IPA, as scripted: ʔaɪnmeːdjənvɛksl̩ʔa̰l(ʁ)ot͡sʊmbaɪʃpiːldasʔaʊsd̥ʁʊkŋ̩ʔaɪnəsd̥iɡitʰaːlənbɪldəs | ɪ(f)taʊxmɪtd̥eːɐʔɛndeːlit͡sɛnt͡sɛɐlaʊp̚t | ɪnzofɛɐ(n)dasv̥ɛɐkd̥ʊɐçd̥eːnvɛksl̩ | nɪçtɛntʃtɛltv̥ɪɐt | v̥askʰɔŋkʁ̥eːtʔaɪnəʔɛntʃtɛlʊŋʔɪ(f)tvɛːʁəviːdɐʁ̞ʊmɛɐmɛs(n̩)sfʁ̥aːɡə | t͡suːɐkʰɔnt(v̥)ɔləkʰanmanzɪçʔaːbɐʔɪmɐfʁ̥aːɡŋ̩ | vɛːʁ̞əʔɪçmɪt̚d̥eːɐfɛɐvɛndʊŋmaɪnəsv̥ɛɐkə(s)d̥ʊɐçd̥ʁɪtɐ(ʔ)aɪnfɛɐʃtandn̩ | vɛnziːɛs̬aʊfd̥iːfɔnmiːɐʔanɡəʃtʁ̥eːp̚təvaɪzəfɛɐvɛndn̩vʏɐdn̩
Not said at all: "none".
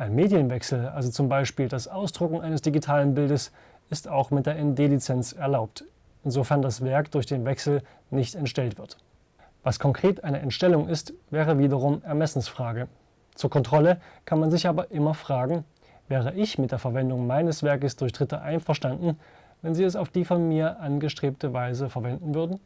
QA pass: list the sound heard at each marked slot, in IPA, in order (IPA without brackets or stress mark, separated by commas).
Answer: z, s, n, s, n̩, ʁ̥, s, ʔ